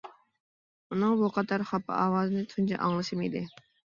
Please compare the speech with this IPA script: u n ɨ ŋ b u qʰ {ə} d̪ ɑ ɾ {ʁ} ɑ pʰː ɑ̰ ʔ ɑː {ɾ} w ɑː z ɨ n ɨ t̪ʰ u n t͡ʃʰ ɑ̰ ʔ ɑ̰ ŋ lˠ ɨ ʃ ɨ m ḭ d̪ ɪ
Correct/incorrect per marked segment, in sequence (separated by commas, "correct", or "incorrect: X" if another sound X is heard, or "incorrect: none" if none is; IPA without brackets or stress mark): incorrect: ɑ, incorrect: χ, incorrect: none